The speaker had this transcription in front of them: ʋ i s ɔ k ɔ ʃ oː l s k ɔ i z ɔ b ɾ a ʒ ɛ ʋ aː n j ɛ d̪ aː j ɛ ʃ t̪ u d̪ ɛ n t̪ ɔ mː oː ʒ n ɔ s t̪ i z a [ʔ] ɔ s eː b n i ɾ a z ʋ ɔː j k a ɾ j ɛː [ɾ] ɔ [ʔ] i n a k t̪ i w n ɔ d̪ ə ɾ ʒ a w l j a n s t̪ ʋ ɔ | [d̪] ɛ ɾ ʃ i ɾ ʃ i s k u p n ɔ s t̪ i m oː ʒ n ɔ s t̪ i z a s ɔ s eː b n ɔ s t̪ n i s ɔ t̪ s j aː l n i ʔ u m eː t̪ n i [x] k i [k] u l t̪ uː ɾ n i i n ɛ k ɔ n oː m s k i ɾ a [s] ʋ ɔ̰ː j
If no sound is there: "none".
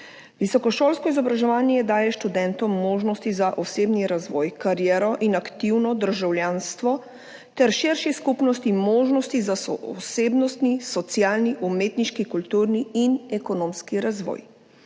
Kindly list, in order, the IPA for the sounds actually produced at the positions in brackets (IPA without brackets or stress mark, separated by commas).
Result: ʔ, ɾ, ʔ, t̪, ʃ, k, z